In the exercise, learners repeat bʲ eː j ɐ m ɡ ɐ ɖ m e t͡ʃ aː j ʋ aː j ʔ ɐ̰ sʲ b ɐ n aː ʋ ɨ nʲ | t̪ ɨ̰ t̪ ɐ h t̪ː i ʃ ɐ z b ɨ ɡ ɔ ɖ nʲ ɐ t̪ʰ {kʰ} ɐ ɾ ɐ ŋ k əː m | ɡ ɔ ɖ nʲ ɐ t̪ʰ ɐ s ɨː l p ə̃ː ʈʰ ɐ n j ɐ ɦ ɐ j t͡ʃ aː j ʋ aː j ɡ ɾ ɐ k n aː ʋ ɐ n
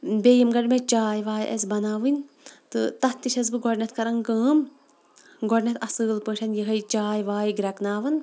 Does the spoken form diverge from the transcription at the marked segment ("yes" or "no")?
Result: yes